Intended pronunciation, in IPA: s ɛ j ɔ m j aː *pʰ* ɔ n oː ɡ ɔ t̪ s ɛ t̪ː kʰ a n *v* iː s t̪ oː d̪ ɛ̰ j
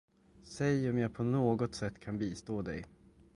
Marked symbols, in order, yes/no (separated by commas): yes, no